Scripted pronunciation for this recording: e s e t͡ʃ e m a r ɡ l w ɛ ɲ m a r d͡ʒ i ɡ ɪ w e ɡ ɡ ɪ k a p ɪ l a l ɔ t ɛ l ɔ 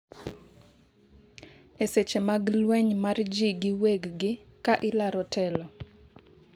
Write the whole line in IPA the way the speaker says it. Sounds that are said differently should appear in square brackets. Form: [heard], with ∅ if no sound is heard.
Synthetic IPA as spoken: e s e t͡ʃ e m a [∅] ɡ l w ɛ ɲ m a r d͡ʒ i ɡ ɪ w e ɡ ɡ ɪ k a [ʔ] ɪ l a [ɾ] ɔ t ɛ l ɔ